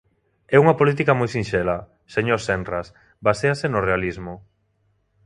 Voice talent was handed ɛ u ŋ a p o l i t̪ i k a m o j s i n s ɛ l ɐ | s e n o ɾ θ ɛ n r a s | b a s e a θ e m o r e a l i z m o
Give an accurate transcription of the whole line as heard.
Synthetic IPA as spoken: ɛ u ŋ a p o l i t̪ i k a m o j s i n ʃ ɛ l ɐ | s e ɲ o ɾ s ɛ n r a s | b a s e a s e n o r e a l i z m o